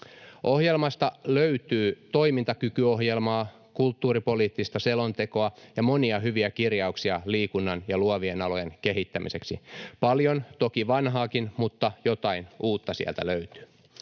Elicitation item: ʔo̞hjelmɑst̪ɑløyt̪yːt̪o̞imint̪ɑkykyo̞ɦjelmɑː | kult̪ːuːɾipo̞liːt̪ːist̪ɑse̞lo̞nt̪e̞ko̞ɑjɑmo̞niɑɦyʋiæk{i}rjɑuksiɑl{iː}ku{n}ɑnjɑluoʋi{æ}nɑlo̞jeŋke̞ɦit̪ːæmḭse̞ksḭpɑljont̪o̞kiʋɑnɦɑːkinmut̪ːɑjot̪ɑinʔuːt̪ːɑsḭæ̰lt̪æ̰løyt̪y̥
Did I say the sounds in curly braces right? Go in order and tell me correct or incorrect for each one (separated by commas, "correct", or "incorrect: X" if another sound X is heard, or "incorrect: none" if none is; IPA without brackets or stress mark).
correct, correct, incorrect: nː, incorrect: e